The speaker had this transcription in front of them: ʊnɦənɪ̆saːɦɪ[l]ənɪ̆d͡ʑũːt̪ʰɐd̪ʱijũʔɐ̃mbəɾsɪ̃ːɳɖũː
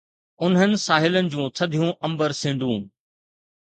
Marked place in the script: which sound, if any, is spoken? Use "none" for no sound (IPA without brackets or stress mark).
l